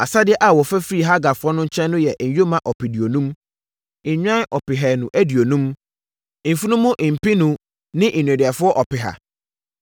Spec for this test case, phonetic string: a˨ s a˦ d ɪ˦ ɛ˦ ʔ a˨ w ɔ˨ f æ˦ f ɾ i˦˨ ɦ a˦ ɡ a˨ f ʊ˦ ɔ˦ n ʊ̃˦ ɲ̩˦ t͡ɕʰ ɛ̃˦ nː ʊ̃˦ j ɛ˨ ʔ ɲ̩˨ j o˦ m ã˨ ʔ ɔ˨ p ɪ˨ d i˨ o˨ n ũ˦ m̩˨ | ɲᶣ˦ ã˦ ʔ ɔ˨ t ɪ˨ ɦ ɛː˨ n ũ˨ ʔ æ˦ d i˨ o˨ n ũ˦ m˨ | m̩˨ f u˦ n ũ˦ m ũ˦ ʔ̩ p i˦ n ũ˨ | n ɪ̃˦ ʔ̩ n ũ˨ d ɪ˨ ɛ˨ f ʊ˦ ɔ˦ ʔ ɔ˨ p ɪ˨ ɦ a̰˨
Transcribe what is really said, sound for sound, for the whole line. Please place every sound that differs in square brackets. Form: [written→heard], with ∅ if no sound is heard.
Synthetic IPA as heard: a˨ s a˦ d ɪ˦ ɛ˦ ʔ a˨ w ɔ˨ f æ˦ f ɾ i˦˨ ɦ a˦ ɡ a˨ f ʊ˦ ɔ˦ n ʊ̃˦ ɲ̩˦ t͡ɕʰ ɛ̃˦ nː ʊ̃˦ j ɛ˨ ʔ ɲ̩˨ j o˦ m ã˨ ʔ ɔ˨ p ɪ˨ d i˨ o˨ n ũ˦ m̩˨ | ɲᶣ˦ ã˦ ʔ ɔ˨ [t→p] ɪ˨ ɦ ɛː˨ n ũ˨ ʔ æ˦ d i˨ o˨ n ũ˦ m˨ | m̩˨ f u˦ n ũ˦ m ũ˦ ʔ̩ p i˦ n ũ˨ | n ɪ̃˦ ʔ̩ n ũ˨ d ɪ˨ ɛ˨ f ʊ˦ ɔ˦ ʔ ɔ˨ p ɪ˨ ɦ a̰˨

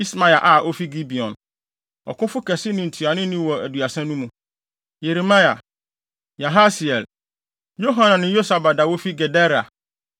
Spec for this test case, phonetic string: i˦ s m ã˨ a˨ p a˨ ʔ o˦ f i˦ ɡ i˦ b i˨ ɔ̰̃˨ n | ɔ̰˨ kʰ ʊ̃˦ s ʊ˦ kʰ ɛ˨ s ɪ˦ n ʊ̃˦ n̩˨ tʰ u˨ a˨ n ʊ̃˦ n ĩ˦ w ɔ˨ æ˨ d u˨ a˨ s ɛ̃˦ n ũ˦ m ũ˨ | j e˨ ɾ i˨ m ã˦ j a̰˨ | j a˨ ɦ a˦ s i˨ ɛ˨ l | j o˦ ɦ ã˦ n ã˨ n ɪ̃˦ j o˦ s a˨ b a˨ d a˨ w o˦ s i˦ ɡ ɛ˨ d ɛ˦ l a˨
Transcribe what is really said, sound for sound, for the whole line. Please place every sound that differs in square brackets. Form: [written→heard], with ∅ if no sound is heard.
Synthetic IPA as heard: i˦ s m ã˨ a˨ [p→ʔ] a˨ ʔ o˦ f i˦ ɡ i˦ b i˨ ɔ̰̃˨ n | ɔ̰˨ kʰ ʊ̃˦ [s→f] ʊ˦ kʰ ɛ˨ s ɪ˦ n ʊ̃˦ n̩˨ tʰ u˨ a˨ n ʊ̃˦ n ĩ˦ w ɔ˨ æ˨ d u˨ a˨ s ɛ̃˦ n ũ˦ m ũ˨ | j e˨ ɾ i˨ m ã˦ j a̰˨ | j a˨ ɦ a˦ s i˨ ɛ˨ l | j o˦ ɦ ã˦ n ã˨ n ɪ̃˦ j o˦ s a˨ b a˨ d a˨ w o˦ [s→f] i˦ ɡ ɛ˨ d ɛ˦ [l→ɾ] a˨

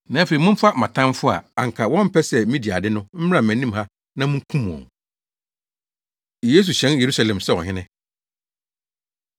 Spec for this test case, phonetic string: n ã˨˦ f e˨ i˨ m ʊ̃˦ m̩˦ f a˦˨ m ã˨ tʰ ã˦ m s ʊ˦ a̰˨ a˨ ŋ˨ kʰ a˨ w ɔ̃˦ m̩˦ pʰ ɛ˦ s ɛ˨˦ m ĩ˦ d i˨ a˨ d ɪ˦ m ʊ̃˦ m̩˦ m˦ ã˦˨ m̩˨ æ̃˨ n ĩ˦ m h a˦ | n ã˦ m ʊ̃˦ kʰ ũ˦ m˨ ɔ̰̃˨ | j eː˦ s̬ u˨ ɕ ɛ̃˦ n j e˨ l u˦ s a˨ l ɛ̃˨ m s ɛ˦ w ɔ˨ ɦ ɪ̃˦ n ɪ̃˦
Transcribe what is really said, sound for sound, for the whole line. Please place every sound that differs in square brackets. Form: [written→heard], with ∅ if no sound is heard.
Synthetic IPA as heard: n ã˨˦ f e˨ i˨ m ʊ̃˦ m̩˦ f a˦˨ m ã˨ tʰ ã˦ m [s→f] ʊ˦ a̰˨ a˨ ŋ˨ kʰ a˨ w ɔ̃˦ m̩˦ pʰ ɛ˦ s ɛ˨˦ m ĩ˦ d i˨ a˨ d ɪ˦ [m→n] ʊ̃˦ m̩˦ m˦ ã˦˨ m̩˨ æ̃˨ n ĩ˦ m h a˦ | n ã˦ m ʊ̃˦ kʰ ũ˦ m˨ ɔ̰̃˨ | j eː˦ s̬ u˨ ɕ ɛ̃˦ n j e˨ [l→ɾ] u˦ s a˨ l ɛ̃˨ m s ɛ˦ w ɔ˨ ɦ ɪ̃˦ n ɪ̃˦

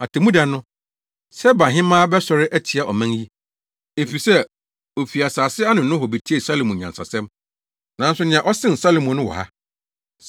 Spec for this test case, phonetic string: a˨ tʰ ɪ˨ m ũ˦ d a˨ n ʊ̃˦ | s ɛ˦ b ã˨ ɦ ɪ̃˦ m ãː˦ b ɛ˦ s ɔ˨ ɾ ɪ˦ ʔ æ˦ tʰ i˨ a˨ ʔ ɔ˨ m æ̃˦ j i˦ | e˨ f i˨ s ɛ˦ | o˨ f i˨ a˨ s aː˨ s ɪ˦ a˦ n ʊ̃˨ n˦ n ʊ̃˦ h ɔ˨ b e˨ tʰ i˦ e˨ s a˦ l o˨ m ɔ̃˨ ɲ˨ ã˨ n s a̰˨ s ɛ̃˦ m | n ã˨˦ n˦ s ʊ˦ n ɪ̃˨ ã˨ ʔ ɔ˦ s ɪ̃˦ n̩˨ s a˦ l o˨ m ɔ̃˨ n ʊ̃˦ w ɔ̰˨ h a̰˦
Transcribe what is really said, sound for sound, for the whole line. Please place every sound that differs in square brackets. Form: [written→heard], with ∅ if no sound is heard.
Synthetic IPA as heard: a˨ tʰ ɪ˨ m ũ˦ d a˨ n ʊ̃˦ | s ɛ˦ b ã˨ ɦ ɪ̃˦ m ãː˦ b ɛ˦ s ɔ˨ ɾ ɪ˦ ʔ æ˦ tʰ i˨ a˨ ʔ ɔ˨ m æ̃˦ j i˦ | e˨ f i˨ s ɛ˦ | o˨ f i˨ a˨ s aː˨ s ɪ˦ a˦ n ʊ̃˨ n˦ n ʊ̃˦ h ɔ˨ b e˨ tʰ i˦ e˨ s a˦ l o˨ m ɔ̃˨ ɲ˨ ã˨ n s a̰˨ s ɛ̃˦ m | n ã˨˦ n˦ s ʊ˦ n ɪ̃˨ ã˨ ʔ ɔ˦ s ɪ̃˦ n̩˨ s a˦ l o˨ m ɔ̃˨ n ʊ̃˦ w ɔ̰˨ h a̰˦

